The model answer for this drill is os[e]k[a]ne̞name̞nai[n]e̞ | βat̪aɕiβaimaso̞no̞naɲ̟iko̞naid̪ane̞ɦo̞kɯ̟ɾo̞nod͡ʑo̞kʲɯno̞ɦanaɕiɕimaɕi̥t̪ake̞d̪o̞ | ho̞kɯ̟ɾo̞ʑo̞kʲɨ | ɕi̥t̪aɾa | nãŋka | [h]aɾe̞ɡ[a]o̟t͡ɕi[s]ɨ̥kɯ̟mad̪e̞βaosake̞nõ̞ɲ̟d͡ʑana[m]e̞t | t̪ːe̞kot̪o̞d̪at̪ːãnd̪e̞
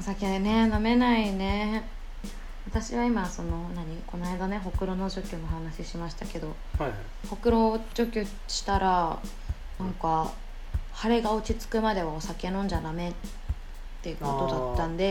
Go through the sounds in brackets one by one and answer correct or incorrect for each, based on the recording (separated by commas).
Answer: incorrect, incorrect, correct, correct, correct, incorrect, correct